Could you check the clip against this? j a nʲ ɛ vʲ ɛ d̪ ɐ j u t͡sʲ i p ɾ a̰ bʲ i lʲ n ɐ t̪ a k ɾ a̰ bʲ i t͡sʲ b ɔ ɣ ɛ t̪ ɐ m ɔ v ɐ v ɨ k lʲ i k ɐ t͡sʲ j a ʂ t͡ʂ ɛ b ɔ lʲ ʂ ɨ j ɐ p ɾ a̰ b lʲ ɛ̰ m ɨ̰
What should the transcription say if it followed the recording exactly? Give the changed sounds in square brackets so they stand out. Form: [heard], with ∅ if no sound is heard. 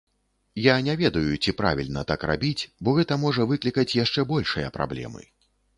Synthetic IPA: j a nʲ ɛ vʲ ɛ d̪ ɐ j u t͡sʲ i p ɾ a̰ [vʲ] i lʲ n ɐ t̪ a k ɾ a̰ bʲ i t͡sʲ b ɔ ɣ ɛ t̪ ɐ m ɔ [ʐ] ɐ v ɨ k lʲ i k ɐ t͡sʲ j a ʂ t͡ʂ ɛ b ɔ lʲ ʂ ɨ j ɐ p ɾ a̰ b lʲ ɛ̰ m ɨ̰